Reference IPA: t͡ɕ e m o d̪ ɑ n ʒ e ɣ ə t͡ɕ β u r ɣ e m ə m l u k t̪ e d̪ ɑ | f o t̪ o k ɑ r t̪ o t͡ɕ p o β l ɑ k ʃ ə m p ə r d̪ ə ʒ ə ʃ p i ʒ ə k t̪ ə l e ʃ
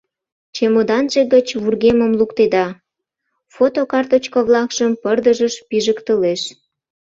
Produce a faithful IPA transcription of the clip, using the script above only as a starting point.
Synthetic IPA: t͡ɕ e m o d̪ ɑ n ʒ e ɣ ə t͡ɕ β u r ɣ e m ə m l u k t̪ e d̪ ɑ | f o t̪ o k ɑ r t̪ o t͡ɕ k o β l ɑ k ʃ ə m p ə r d̪ ə ʒ ə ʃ p i ʒ ə k t̪ ə l e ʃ